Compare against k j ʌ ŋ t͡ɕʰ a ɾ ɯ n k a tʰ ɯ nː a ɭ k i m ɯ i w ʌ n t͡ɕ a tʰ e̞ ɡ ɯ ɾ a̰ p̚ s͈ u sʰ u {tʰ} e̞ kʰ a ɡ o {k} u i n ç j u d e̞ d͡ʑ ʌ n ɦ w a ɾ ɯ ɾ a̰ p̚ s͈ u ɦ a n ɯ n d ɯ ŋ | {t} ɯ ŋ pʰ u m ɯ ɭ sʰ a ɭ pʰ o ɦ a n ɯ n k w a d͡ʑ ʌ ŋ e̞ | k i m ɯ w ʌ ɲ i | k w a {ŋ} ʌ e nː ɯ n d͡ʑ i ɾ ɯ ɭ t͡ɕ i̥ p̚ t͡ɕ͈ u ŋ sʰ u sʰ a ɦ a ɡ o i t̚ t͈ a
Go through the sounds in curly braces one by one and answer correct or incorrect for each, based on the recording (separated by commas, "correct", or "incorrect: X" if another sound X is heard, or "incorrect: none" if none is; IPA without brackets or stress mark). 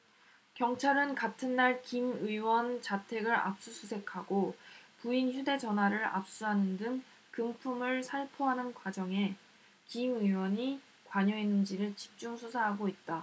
incorrect: sʰ, incorrect: p, incorrect: k, incorrect: ɲ